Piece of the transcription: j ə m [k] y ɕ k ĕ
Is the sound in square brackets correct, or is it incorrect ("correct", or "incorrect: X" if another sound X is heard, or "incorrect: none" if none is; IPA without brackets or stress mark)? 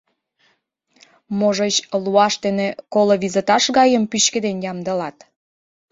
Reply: incorrect: p